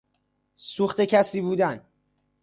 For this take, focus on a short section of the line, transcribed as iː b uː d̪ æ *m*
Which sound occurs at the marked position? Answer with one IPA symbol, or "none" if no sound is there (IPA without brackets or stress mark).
n